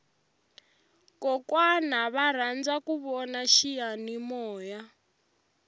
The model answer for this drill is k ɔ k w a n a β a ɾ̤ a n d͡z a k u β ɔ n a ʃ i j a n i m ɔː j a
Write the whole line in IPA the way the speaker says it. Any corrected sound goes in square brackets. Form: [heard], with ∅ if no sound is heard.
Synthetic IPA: k ɔ k w a n a β a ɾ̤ a n d͡z a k u β ɔ n a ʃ i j a n i m ɔː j a